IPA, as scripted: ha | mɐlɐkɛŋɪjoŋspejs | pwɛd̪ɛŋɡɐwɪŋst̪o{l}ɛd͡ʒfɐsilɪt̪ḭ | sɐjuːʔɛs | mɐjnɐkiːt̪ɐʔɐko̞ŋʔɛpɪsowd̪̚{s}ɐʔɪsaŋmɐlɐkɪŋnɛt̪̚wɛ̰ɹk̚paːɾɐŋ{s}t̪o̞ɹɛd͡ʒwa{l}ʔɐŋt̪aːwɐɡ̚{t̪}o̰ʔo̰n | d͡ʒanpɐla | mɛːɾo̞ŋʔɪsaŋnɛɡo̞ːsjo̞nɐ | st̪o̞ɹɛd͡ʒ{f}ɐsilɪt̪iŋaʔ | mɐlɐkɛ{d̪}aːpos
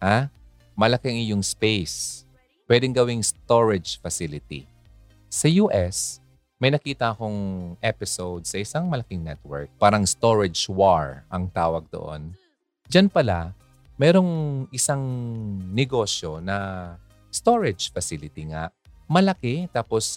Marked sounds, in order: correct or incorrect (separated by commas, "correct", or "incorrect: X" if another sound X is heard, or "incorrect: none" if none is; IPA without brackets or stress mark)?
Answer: incorrect: ɹ, correct, correct, incorrect: ɹ, incorrect: d̪, correct, incorrect: t̪